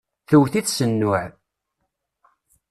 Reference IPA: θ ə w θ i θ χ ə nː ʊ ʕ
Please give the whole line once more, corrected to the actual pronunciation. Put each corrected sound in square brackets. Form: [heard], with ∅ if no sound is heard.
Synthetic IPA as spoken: θ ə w θ i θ [s] ə nː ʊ ʕ